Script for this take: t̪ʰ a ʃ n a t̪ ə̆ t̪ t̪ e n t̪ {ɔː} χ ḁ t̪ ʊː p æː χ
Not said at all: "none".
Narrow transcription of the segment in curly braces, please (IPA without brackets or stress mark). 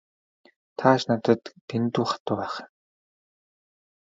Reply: uː